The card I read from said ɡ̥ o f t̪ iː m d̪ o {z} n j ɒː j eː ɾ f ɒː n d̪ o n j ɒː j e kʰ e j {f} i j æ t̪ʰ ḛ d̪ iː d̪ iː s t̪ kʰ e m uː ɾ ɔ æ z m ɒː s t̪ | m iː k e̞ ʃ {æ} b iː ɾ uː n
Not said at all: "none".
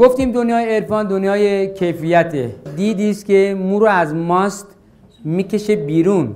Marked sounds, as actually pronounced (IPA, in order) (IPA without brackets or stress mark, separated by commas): none, f, e